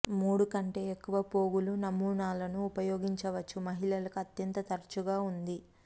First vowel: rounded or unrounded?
rounded